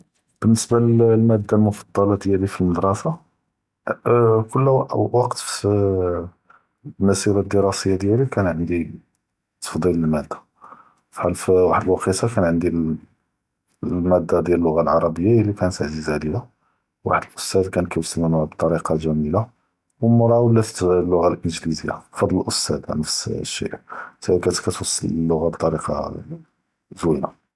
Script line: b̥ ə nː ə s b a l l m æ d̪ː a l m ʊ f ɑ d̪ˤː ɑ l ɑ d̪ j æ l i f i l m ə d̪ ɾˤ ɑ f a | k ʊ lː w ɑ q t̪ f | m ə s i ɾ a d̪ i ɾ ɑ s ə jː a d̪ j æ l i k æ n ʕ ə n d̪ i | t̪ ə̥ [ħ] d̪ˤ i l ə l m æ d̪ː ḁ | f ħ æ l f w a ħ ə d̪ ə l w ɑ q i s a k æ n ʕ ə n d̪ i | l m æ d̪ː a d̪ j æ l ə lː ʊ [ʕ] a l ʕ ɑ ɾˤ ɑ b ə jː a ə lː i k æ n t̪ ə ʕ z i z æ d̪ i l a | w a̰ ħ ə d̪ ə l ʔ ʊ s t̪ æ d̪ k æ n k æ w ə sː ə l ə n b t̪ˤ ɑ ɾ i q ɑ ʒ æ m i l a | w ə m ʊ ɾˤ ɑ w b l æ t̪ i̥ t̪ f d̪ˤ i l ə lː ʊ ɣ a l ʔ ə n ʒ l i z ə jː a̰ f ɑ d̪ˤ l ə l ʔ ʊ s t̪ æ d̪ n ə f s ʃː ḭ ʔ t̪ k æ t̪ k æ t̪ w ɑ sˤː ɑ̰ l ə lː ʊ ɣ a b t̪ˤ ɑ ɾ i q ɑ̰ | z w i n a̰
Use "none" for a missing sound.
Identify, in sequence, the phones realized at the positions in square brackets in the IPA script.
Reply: f, ɣ

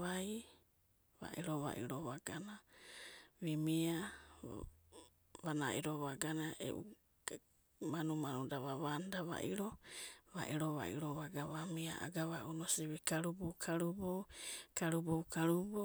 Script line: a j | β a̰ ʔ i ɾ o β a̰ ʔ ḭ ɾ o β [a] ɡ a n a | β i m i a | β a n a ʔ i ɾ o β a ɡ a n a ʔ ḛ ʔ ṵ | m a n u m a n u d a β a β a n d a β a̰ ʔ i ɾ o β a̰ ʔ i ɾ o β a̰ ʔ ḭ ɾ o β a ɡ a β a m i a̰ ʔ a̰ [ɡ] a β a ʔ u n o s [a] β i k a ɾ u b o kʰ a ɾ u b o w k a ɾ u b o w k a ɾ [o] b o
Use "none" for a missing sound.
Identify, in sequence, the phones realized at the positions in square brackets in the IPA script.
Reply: a, ɡ, i, u

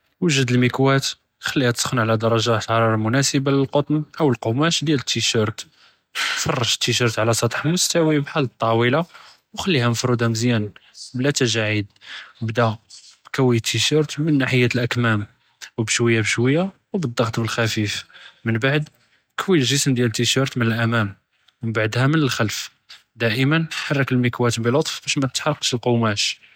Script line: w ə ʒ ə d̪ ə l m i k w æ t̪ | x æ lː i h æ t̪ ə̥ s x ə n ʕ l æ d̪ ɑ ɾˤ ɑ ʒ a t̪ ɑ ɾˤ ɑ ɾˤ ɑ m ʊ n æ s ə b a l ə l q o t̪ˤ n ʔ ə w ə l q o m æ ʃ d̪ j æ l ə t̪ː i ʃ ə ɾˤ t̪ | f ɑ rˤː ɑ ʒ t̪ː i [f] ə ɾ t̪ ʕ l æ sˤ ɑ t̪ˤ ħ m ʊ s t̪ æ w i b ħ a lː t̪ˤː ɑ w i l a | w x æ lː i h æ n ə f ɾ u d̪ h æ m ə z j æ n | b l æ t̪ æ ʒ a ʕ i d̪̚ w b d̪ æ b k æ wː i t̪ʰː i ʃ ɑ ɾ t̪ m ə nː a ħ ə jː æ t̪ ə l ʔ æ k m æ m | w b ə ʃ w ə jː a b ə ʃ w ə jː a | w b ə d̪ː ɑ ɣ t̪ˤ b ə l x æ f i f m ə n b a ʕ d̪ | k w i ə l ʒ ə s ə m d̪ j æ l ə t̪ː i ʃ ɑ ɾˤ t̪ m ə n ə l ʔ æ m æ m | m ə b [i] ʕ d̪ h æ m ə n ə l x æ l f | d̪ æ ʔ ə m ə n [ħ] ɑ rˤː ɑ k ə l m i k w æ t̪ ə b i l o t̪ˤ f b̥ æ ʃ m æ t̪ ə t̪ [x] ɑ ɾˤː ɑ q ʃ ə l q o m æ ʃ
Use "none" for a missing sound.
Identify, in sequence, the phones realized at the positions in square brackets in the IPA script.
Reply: ʃ, a, ħ, ħ

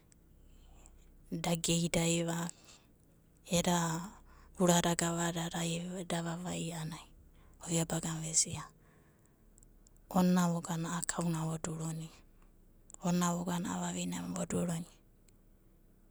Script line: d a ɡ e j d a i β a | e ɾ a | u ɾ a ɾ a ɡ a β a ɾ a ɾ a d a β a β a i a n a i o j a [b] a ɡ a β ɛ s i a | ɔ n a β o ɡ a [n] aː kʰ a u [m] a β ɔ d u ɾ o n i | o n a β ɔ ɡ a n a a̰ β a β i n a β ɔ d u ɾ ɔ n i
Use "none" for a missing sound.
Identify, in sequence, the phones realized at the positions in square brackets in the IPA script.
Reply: b, n, n

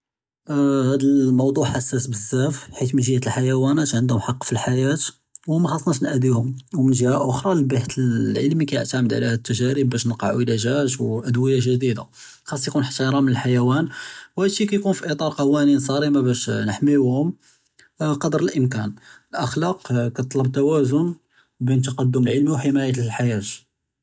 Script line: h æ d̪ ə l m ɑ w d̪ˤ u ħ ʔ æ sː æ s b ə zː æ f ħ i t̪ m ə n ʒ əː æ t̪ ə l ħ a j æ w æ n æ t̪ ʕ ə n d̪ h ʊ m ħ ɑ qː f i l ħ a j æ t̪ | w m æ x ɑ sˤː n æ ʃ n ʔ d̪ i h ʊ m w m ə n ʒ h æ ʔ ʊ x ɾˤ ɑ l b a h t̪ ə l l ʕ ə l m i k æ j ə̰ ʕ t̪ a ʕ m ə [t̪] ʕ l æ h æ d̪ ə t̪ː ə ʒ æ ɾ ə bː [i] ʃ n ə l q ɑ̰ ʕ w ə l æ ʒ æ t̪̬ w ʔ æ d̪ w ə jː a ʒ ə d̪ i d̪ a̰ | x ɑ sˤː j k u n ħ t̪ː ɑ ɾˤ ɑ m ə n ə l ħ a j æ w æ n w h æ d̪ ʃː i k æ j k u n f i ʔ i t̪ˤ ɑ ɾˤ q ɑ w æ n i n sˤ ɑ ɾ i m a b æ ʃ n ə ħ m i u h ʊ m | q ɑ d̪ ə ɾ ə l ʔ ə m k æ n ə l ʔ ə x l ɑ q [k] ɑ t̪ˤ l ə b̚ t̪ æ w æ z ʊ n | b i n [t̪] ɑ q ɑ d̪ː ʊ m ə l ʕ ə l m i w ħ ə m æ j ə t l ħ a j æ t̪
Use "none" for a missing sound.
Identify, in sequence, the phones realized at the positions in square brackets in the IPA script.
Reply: d̪, æ, k, t̪

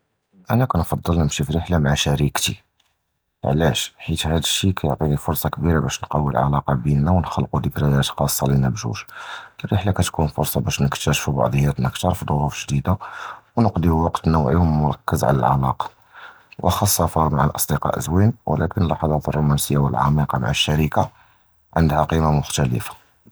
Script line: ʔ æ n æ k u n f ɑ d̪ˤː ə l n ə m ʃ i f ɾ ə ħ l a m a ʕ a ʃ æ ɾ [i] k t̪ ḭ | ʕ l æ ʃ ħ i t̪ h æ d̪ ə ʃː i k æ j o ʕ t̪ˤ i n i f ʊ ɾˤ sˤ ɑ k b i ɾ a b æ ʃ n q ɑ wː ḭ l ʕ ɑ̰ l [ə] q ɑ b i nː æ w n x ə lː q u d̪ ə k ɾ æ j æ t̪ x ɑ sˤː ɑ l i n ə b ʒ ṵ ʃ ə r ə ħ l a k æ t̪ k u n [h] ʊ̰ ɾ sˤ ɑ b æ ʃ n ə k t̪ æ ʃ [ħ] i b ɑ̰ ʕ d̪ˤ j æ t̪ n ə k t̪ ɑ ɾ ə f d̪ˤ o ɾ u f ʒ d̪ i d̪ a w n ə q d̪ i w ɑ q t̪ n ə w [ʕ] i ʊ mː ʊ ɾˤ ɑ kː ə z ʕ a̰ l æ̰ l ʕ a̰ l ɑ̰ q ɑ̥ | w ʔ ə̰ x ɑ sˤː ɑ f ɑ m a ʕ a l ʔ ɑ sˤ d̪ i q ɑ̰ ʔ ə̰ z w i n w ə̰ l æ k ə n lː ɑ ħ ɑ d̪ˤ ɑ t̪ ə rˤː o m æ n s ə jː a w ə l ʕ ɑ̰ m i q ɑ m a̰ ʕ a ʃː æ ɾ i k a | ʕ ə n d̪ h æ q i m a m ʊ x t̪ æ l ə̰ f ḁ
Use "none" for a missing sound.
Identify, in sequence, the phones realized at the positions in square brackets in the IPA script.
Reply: i, ɑ, f, f, ʕ

